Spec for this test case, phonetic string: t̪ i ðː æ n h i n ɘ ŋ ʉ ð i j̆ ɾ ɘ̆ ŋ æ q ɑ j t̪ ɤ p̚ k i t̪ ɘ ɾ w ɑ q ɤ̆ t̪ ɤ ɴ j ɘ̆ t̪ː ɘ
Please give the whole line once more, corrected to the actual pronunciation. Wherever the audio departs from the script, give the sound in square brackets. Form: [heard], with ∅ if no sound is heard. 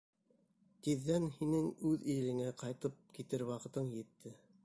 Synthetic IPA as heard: t̪ i ðː æ n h i n ɘ ŋ ʉ ð i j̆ [l] ɘ̆ ŋ æ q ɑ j t̪ ɤ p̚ k i t̪ ɘ ɾ w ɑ q ɤ̆ t̪ ɤ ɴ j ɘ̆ t̪ː ɘ

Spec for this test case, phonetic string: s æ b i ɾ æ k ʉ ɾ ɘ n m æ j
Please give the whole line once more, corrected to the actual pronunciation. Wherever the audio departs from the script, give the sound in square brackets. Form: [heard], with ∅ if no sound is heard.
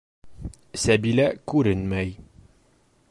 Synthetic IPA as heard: s æ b i [l] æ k ʉ ɾ ɘ n m æ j

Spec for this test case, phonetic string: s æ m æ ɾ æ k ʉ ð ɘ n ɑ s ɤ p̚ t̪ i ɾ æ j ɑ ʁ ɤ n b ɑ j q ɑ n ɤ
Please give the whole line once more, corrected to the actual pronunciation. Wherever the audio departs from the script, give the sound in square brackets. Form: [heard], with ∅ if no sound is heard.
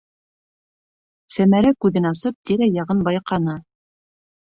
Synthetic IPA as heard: s æ m æ ɾ æ k ʉ ð ɘ n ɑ s ɤ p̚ t̪ i ɾ æ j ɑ ʁ ɤ n b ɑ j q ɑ n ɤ

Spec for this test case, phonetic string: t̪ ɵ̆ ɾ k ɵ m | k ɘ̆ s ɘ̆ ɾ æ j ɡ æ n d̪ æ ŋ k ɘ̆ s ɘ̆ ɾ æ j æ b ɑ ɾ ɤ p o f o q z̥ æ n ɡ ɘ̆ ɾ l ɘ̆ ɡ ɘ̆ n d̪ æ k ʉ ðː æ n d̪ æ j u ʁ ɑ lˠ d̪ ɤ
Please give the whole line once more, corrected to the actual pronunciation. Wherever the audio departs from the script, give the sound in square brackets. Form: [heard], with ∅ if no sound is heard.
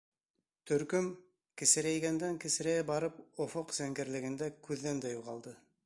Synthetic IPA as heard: t̪ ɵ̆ ɾ k ɵ m | k ɘ̆ s ɘ̆ ɾ æ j ɡ æ n d̪ æ ŋ k ɘ̆ s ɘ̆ ɾ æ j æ b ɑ ɾ ɤ p o f o q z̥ æ [ŋ] ɡ ɘ̆ ɾ l ɘ̆ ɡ ɘ̆ n d̪ æ k ʉ ðː æ n d̪ æ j u ʁ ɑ lˠ d̪ ɤ

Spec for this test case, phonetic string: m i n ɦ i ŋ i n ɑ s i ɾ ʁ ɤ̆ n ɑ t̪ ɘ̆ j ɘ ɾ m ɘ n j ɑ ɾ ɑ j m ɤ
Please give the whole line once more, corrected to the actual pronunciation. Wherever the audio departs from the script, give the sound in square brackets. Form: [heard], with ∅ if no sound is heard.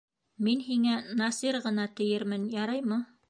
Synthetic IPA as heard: m i n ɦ i ŋ [æ] n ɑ s i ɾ ʁ ɤ̆ n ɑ t̪ ɘ̆ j ɘ ɾ m ɘ n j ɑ ɾ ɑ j m ɤ

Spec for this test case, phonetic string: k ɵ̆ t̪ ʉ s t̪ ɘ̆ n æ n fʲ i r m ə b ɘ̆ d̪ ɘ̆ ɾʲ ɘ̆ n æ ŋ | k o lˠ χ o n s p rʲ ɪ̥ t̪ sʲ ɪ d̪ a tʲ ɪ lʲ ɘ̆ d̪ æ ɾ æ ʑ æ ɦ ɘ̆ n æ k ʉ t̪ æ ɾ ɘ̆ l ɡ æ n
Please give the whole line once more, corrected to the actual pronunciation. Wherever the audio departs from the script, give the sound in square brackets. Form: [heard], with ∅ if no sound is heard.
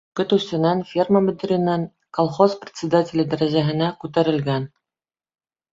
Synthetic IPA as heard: k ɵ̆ t̪ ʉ s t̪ ɘ̆ n æ n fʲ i r m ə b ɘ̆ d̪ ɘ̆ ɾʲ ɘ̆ n æ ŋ | k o lˠ χ o [∅] s p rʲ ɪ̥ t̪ sʲ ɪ d̪ a tʲ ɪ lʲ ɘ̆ d̪ æ ɾ æ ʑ æ ɦ ɘ̆ n æ k ʉ t̪ æ ɾ ɘ̆ l ɡ æ n

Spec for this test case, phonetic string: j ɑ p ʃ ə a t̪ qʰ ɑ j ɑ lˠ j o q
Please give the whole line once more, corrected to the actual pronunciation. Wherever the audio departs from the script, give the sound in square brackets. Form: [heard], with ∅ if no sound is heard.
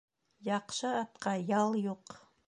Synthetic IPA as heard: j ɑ [q] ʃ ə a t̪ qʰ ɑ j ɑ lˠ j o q

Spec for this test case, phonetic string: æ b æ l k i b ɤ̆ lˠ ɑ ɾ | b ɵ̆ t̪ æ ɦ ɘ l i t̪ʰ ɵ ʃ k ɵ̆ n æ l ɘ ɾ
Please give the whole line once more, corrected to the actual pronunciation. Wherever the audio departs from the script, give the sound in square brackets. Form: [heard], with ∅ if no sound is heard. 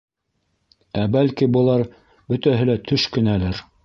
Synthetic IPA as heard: æ b æ l k i b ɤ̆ lˠ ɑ ɾ | b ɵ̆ t̪ æ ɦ ɘ l [æ] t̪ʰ ɵ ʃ k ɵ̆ n æ l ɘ ɾ

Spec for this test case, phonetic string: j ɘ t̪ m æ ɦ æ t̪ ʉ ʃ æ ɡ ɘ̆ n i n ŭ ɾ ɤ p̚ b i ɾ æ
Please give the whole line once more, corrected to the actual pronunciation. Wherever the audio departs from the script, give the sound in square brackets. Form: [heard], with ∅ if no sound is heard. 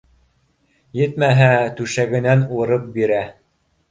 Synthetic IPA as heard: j ɘ t̪ m æ ɦ æ t̪ ʉ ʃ æ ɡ ɘ̆ n [æ] n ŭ ɾ ɤ p̚ b i ɾ æ

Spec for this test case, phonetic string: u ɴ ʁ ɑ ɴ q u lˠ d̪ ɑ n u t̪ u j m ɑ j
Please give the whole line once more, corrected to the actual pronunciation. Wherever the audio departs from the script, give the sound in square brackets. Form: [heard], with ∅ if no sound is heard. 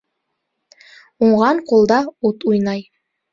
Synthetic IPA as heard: u ɴ ʁ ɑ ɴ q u lˠ d̪ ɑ [∅] u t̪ u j [n] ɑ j

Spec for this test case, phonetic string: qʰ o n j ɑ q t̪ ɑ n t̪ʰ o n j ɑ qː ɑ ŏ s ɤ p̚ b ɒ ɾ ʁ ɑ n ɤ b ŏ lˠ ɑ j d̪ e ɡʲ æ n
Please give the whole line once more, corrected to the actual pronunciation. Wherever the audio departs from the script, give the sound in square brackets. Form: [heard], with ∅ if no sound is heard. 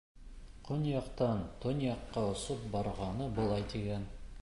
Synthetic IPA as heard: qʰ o n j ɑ q t̪ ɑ n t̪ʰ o n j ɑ qː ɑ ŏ s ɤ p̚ b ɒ ɾ ʁ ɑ n ɤ b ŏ lˠ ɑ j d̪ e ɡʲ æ n

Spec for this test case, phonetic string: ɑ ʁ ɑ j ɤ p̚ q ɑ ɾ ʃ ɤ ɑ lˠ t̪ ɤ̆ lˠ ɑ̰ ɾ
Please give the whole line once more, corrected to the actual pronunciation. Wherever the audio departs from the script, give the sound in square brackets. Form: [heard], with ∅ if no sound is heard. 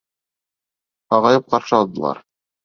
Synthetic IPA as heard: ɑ ʁ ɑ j ɤ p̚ q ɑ ɾ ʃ ɤ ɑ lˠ [d̪] ɤ̆ lˠ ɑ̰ ɾ

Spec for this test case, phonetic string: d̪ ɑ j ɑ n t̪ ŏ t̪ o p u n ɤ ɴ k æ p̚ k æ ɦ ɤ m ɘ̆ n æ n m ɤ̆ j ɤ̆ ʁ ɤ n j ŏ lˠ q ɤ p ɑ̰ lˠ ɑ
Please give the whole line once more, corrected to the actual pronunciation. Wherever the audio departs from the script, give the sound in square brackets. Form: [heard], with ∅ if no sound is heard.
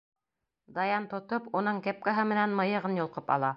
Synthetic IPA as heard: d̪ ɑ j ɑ n t̪ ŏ t̪ o p u n ɤ ɴ k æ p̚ k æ ɦ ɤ m ɘ̆ n æ n m ɤ̆ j ɤ̆ ʁ ɤ n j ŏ lˠ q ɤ p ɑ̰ lˠ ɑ

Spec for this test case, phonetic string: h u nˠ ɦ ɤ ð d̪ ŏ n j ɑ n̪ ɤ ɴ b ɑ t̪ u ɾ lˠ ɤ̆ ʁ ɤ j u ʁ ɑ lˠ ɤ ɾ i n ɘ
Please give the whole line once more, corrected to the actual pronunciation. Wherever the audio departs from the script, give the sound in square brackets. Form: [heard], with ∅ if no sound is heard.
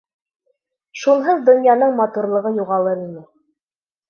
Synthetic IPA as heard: [ʃ] u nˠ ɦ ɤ ð d̪ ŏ n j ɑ n̪ ɤ ɴ [m] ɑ t̪ u ɾ lˠ ɤ̆ ʁ ɤ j u ʁ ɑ lˠ ɤ ɾ i n ɘ

